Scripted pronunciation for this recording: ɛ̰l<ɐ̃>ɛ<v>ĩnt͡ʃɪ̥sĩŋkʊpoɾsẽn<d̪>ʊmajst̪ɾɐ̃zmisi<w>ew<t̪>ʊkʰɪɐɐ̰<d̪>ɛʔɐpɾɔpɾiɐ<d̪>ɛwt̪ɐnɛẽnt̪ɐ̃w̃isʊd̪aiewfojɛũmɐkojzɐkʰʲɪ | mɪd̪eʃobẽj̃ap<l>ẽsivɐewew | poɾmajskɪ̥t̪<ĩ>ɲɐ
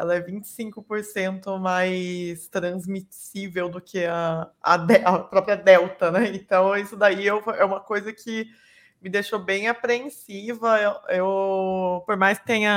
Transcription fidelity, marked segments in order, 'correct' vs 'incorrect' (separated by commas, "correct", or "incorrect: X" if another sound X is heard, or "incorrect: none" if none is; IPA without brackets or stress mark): incorrect: ɐ, correct, incorrect: t̪, incorrect: v, incorrect: d̪, correct, correct, incorrect: ɾ, incorrect: ẽ